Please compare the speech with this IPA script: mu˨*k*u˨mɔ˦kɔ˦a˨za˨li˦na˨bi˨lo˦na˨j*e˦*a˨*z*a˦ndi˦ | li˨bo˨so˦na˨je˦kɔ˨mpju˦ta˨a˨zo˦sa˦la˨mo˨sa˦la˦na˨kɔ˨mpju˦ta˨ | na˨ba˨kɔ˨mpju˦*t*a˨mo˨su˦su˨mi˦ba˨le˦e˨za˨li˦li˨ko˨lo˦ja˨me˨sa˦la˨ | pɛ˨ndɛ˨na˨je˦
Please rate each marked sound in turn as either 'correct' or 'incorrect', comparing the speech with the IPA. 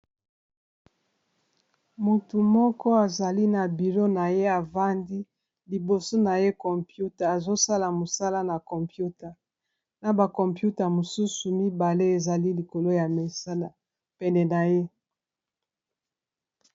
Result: incorrect: t, correct, incorrect: v, correct

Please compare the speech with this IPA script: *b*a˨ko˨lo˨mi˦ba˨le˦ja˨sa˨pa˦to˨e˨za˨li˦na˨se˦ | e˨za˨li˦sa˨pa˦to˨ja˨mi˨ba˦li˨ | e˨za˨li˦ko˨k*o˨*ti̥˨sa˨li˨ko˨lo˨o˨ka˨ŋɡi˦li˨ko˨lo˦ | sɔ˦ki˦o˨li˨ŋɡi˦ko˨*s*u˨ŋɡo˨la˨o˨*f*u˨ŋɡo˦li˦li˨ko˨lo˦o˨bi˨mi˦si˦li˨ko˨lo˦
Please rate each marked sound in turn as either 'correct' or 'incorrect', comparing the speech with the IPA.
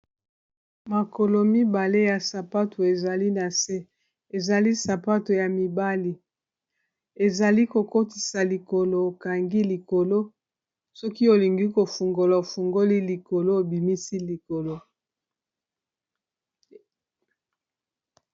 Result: incorrect: m, incorrect: o˦, incorrect: f, correct

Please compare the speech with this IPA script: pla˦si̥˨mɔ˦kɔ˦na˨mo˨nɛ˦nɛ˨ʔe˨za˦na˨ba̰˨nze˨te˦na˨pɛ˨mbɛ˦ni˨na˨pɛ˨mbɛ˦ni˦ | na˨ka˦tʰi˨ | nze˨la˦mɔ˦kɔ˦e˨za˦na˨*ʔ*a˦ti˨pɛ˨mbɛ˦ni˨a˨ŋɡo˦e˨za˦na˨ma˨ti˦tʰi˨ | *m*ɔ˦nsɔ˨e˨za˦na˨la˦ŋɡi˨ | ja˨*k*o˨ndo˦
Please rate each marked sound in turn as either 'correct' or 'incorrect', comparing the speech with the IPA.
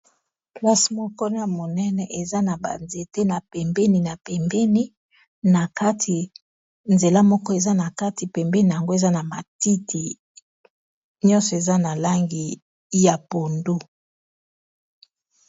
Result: incorrect: k, incorrect: ɲ, incorrect: p

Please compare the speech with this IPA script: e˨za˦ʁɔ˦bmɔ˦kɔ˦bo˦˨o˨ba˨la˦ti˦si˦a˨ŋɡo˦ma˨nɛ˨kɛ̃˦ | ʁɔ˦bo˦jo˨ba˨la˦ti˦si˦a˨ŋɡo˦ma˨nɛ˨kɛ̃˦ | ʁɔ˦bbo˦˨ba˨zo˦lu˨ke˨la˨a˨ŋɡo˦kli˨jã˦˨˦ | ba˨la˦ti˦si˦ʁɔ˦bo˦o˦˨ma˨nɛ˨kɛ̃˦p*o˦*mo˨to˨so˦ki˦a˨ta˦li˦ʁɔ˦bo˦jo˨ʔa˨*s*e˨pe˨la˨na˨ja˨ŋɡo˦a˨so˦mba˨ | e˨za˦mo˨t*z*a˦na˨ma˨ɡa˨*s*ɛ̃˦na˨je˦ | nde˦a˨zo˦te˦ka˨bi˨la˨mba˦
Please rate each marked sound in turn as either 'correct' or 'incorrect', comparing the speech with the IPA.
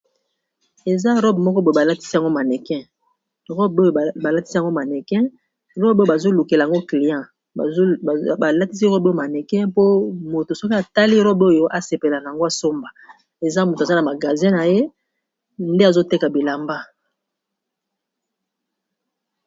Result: correct, correct, correct, incorrect: z

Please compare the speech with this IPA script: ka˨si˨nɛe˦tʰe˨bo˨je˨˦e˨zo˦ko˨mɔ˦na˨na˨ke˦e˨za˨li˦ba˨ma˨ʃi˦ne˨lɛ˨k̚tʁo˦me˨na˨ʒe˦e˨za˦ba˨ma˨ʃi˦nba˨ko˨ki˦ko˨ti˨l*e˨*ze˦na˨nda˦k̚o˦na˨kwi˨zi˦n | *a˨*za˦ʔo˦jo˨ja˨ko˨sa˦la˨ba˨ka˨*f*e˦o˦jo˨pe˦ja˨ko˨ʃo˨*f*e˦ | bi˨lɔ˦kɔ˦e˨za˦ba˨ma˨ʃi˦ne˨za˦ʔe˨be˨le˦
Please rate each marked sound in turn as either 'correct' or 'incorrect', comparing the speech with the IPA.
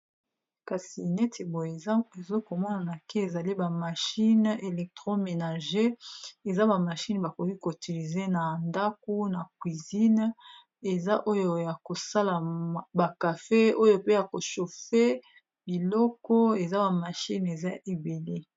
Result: incorrect: i˨, incorrect: e˨, correct, correct

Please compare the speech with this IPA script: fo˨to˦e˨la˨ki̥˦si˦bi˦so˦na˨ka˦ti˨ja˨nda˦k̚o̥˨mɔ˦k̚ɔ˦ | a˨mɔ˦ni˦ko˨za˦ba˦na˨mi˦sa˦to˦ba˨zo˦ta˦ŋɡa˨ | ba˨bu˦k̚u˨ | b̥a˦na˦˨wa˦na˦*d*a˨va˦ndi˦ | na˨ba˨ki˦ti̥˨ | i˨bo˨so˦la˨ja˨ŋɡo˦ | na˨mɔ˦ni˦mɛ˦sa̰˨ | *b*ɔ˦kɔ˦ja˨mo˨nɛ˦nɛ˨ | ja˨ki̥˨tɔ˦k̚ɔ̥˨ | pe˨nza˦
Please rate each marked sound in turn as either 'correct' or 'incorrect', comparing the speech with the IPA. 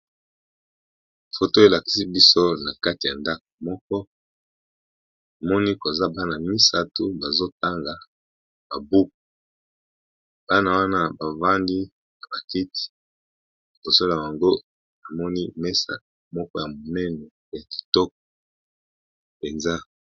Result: incorrect: b, incorrect: m

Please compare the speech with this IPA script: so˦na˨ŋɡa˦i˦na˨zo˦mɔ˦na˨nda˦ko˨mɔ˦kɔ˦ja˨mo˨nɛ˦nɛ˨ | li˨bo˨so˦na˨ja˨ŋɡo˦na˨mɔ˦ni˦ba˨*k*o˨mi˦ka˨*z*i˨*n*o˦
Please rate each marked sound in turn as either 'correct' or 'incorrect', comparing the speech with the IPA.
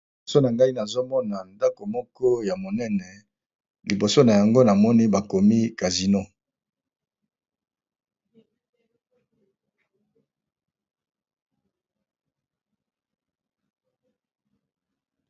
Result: correct, correct, correct

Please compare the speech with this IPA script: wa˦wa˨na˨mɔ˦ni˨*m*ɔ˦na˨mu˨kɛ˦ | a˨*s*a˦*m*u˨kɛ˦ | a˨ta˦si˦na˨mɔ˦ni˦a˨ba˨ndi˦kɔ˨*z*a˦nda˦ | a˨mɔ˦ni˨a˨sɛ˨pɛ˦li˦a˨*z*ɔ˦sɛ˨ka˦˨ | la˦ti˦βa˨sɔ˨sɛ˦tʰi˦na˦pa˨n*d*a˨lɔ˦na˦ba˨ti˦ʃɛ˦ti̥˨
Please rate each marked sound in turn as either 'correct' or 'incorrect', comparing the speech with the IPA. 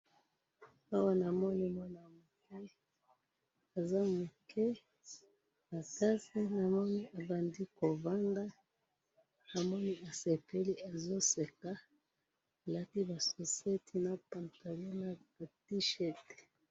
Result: correct, incorrect: z, correct, incorrect: v, correct, incorrect: t

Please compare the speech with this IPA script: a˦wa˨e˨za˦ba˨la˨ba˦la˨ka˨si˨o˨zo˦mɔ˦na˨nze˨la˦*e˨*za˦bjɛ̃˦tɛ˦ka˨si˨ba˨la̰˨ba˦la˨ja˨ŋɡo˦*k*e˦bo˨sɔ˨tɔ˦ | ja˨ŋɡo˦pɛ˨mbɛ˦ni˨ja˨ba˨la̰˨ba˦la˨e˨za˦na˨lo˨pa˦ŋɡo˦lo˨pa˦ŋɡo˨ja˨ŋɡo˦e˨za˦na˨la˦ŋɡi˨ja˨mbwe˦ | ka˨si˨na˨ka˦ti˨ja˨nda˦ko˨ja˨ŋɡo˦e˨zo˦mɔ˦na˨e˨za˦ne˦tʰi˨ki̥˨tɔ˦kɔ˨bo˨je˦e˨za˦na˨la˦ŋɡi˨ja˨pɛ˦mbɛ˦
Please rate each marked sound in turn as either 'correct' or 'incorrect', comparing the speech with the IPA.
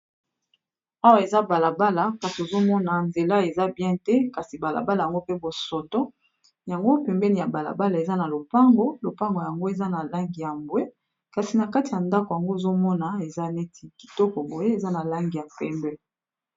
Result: correct, incorrect: p

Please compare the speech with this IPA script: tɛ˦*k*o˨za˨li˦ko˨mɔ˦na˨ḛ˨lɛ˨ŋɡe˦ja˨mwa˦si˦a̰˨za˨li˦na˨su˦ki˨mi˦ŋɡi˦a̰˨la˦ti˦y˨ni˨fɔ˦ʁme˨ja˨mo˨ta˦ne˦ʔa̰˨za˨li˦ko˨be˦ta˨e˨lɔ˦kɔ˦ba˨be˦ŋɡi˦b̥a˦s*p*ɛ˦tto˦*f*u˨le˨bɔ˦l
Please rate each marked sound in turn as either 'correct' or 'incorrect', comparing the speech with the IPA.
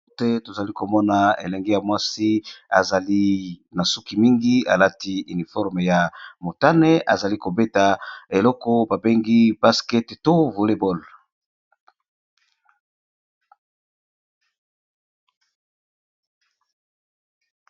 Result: incorrect: t, incorrect: k, incorrect: v

